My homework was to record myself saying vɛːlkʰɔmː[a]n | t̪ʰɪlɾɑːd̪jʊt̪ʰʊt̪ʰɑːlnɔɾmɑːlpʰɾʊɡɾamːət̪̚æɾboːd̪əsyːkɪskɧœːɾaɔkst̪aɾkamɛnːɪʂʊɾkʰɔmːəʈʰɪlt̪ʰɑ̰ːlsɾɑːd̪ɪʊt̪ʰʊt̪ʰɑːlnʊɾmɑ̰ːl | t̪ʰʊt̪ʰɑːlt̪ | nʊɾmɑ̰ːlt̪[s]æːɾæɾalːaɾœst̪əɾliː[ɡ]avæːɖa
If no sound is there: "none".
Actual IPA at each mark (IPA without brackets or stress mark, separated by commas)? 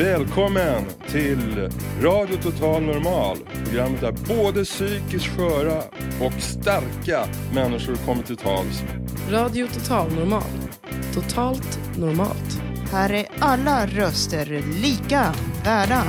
ə, h, k